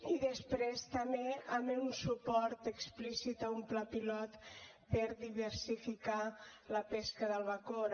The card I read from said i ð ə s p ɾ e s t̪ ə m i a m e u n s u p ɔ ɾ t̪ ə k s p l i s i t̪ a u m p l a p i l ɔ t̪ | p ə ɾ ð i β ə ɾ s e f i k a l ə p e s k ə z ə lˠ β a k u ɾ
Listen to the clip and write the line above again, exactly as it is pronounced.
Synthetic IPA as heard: i ð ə s p ɾ e s t̪ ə m e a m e u n s u p ɔ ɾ t̪ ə k s p l i s i t̪ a u m p l a p i l ɔ t̪ | p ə ɾ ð i β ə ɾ s i f i k a l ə p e s k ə ð ə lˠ β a k o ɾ